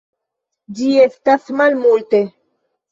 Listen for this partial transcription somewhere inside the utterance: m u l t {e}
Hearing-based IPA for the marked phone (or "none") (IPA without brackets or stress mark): e